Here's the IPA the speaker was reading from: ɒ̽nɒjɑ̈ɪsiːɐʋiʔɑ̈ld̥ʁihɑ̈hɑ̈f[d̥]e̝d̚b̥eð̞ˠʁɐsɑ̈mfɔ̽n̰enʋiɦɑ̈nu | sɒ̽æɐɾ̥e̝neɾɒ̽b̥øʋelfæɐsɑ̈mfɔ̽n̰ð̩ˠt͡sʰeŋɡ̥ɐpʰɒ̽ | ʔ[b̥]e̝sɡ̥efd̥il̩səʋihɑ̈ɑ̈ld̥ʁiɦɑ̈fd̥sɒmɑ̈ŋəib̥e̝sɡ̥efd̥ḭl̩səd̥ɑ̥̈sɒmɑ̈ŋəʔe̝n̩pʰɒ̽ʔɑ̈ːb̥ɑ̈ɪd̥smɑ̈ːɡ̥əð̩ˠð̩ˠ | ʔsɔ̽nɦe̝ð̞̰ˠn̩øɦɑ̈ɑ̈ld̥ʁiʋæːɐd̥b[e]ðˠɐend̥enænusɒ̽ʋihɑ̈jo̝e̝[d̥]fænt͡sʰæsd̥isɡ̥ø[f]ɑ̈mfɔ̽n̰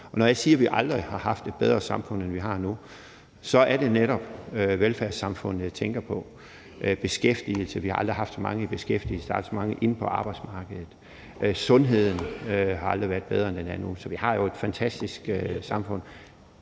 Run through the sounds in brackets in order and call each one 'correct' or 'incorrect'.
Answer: correct, correct, correct, correct, incorrect

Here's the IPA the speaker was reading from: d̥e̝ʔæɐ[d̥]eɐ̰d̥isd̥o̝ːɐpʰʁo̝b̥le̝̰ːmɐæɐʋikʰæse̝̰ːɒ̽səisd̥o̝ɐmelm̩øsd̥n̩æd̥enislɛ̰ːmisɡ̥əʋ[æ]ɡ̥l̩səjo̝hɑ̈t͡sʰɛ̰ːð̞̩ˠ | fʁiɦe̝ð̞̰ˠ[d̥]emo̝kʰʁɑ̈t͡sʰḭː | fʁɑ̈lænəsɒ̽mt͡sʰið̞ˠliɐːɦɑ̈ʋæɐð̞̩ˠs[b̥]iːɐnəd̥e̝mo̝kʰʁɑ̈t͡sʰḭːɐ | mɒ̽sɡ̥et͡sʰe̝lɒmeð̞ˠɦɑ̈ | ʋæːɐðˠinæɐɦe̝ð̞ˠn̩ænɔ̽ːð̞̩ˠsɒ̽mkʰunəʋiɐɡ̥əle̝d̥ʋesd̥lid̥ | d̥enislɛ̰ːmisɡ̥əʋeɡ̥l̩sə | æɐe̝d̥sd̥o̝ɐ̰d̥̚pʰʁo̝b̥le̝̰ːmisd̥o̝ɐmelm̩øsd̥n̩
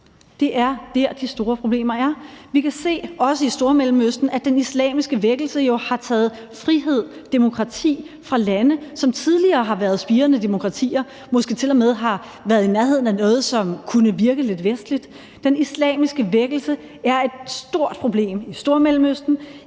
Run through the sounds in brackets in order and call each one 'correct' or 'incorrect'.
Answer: correct, incorrect, correct, correct

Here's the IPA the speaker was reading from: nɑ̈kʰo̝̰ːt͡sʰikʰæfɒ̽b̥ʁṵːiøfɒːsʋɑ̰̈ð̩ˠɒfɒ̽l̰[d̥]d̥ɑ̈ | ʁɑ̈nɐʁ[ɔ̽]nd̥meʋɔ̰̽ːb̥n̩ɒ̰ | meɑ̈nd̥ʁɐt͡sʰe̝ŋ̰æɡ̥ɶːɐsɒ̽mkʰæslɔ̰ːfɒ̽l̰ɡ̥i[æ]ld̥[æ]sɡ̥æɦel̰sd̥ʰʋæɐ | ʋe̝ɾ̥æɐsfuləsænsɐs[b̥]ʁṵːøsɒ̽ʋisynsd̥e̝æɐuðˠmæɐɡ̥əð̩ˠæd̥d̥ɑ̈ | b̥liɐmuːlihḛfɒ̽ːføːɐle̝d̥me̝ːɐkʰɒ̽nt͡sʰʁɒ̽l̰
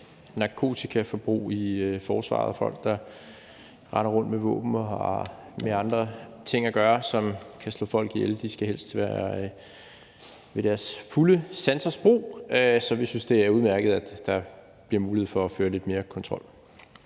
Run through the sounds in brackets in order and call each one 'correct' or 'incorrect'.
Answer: incorrect, correct, incorrect, incorrect, correct

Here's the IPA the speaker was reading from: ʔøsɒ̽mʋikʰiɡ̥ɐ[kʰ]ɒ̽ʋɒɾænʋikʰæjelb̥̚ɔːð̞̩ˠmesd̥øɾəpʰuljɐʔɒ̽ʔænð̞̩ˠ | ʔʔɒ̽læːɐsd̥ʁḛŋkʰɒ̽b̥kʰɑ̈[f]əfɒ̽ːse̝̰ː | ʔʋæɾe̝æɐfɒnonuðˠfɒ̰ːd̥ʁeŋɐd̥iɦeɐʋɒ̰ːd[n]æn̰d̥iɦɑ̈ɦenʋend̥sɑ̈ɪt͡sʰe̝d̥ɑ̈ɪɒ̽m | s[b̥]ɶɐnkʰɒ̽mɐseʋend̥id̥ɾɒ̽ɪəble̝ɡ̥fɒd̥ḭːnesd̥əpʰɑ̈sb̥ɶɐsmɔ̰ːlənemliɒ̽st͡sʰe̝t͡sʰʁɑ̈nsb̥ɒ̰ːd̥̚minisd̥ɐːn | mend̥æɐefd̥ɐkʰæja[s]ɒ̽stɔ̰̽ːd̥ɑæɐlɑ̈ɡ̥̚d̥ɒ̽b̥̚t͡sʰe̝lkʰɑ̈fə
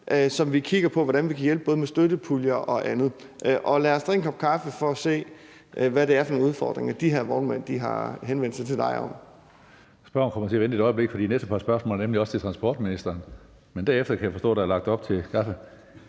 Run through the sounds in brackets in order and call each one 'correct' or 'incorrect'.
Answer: incorrect, correct, incorrect, correct, incorrect

